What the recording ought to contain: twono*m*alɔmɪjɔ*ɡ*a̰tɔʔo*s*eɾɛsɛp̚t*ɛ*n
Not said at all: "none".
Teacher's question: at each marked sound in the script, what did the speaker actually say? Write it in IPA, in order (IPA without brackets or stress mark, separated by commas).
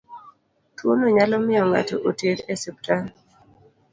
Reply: ɲ, ŋ, t, a